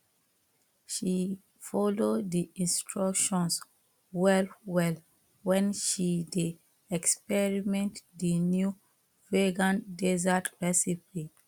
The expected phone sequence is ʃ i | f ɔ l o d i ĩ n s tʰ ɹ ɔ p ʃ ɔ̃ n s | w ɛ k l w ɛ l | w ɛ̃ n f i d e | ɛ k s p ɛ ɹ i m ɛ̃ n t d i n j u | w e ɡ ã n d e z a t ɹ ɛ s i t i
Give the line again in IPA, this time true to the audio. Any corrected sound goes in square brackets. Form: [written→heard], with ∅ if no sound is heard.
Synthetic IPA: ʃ i | f ɔ l o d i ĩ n s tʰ ɹ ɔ [p→k] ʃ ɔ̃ n s | w ɛ [k→∅] l w ɛ l | w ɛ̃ n [f→ʃ] i d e | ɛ k s p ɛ ɹ i m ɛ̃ n t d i n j u | [w→v] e ɡ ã n d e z a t ɹ ɛ s i [t→p] i